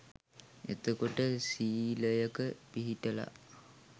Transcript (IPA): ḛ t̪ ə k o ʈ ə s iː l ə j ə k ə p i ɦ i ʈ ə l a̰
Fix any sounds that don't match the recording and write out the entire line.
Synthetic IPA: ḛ t̪ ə k o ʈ ə s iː l ə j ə k ə p i ɦ i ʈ ə l a̰